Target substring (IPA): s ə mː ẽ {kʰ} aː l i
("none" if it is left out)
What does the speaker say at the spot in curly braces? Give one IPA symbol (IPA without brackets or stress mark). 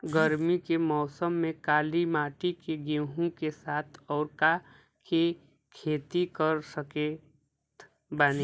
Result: k